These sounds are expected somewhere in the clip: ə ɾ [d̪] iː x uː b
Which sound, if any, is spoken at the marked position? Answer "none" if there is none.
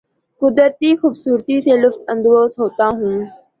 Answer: t̪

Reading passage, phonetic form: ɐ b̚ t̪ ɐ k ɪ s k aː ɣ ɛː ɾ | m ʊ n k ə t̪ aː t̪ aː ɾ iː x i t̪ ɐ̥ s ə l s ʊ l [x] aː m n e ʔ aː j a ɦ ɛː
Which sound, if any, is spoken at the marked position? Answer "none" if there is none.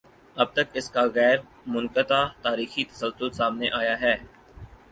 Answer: s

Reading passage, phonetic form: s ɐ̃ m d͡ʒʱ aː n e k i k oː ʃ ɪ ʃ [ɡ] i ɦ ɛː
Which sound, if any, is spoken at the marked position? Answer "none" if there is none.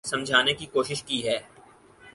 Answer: k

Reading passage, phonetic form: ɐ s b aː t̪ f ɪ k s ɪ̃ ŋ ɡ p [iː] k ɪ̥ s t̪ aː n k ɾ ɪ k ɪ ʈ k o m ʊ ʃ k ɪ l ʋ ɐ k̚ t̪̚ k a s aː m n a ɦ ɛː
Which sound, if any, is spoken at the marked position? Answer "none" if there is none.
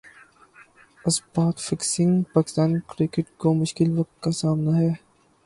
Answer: aː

